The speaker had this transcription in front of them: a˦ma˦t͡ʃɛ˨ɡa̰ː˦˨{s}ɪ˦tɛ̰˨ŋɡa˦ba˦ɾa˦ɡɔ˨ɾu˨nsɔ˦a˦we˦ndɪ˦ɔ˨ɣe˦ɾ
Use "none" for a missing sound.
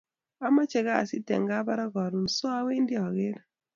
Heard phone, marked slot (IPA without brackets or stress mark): s